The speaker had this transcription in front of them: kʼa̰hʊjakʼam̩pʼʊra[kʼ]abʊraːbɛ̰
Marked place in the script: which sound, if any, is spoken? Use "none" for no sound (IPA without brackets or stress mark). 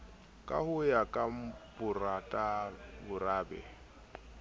tʼ